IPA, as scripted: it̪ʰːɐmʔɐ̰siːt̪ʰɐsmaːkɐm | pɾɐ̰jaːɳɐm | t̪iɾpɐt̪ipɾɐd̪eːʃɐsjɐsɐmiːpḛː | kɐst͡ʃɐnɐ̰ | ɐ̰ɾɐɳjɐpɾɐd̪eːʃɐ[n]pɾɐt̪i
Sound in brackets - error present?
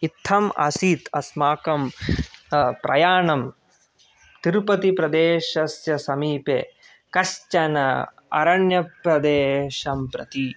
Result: yes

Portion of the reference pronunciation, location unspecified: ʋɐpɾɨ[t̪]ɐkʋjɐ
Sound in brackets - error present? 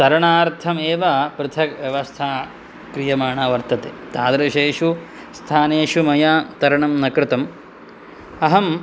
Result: yes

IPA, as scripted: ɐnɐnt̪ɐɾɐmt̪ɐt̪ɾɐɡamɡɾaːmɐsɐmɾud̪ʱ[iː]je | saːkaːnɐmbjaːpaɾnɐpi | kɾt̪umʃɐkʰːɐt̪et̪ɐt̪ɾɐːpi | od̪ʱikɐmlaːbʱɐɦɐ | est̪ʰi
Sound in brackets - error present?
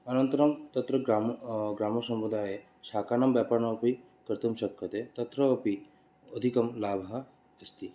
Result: yes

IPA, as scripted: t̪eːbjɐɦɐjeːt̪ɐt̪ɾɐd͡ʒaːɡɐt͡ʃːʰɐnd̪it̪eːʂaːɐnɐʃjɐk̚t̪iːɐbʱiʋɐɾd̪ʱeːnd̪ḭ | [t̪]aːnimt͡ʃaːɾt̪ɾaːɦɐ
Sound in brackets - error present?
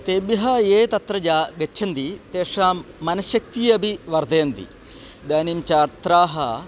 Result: yes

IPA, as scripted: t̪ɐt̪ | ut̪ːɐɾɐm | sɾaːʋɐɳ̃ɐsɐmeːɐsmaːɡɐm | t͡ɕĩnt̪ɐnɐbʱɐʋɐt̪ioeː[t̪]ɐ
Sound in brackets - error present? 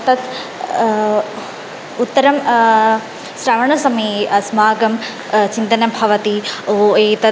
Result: no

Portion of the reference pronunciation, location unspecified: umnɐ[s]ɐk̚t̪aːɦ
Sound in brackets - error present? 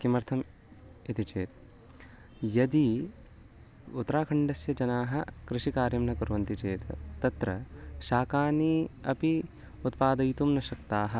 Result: yes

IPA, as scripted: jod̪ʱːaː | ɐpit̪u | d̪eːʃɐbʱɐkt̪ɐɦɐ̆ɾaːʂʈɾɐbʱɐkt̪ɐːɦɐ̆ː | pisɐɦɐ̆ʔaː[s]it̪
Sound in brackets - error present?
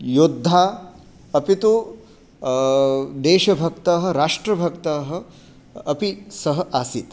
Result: no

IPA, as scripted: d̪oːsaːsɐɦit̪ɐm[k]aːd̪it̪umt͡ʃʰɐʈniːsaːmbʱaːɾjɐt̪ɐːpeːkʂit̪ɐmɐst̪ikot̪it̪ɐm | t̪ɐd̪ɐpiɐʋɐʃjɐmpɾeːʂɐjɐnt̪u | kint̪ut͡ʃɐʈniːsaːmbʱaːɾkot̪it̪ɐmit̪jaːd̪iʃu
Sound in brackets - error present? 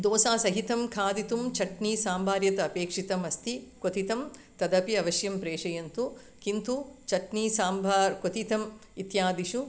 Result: yes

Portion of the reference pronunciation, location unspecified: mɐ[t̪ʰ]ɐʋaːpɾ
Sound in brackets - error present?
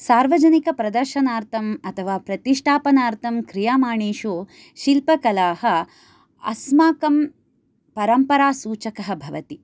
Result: no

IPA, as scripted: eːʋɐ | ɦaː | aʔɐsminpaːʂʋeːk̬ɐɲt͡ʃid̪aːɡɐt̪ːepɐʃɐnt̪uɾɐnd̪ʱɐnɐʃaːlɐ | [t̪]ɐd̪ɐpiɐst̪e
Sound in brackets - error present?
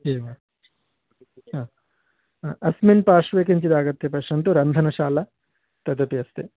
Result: no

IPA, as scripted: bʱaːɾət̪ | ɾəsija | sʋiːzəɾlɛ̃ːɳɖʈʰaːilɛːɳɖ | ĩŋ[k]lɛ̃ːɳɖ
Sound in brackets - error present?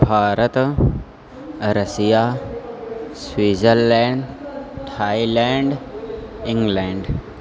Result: yes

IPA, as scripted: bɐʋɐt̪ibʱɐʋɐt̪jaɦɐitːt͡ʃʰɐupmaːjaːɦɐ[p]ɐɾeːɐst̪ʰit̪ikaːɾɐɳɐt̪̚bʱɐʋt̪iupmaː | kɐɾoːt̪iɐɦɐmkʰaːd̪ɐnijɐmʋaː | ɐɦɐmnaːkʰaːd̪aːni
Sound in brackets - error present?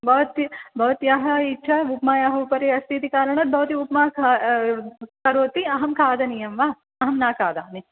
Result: no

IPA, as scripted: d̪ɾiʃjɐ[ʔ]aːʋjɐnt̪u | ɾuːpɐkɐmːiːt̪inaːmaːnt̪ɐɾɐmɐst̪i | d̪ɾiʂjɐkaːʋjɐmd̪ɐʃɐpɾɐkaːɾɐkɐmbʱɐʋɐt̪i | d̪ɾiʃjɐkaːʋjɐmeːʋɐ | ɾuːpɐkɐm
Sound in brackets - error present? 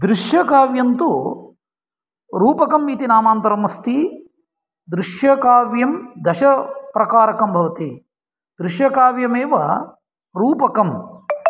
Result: yes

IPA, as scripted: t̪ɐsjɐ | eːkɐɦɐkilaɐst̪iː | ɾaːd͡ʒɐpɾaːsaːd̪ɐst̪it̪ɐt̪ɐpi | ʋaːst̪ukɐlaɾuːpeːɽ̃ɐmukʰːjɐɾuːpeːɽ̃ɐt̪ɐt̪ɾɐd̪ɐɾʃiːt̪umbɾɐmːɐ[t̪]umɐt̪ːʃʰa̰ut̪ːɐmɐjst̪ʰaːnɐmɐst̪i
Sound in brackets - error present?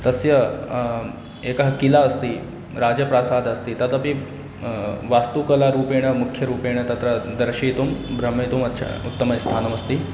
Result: no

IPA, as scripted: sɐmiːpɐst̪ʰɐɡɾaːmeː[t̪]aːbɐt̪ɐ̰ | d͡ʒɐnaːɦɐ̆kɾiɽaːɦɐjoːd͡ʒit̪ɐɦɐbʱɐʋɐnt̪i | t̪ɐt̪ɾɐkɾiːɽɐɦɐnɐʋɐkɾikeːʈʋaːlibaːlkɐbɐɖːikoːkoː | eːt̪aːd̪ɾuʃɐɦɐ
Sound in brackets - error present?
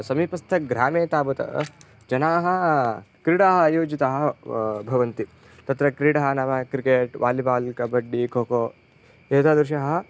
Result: no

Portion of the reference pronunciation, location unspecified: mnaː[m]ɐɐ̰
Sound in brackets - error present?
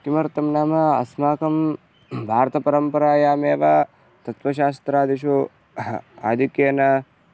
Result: no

